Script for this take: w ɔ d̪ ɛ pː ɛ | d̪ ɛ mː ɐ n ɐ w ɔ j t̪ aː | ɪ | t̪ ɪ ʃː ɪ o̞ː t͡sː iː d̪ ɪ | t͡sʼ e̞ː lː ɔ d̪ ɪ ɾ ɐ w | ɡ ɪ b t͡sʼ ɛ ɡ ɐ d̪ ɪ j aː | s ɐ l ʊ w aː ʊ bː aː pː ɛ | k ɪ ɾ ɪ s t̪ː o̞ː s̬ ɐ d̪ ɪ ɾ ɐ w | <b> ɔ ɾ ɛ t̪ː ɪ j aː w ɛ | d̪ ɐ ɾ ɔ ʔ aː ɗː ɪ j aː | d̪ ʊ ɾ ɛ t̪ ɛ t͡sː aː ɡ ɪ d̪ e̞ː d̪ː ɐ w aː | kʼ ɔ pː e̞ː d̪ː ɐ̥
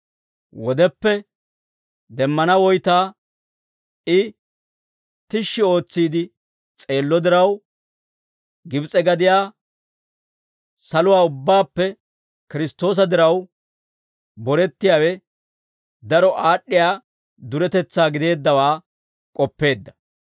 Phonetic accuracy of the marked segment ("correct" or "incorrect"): correct